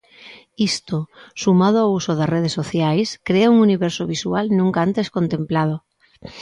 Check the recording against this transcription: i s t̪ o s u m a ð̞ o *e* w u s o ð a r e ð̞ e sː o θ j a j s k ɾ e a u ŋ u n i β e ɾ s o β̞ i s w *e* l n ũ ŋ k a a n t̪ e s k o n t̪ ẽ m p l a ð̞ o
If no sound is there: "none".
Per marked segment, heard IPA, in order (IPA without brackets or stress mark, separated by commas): a, a